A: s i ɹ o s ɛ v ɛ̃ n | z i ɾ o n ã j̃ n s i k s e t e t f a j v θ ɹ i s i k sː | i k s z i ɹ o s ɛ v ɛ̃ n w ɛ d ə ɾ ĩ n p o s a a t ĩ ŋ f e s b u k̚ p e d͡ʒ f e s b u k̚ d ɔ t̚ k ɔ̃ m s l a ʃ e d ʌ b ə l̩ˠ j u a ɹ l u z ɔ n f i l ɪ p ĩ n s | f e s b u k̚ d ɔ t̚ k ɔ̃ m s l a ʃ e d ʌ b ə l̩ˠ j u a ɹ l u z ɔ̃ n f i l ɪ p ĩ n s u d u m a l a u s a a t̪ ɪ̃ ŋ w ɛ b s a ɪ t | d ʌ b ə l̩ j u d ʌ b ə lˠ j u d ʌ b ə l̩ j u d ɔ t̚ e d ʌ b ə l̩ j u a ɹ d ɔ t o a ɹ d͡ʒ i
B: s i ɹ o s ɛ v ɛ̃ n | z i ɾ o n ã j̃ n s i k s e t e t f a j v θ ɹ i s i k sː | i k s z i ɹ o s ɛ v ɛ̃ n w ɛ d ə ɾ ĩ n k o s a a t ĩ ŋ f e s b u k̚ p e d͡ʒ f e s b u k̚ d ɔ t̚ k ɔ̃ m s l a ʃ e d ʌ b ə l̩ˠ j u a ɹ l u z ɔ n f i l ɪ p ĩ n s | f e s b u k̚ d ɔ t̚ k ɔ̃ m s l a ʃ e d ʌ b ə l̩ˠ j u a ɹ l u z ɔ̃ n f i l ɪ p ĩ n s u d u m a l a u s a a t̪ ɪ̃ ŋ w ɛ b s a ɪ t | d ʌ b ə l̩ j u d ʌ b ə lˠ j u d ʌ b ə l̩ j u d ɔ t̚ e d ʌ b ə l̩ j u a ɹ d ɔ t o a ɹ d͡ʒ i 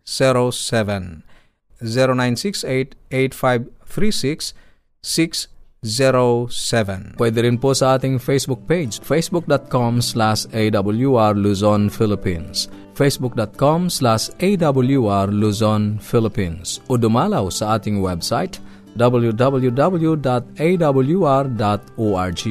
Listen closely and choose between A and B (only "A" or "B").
A